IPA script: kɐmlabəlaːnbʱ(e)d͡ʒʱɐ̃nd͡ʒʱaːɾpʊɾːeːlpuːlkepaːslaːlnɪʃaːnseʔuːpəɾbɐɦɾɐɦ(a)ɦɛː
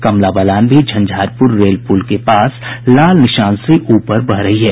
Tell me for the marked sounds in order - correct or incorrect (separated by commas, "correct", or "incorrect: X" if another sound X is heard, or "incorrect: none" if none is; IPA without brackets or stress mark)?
incorrect: i, incorrect: i